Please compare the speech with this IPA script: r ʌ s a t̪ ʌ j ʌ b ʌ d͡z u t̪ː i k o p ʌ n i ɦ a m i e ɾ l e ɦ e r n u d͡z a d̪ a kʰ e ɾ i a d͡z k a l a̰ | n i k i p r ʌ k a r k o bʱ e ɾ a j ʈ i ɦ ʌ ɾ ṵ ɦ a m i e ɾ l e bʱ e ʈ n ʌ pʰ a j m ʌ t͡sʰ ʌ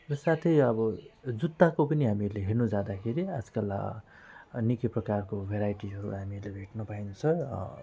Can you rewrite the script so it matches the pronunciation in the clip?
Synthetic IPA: r ʌ s a t̪ʰ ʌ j ʌ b ʌ d͡z u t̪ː a k o p ʌ n i ɦ a m i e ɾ l e ɦ e r n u d͡z a d̪ a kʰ e ɾ i a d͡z k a l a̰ | n i k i p r ʌ k a r k o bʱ e ɾ a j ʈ i ɦ ʌ ɾ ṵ ɦ a m i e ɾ l e bʱ e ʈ n ʌ p a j n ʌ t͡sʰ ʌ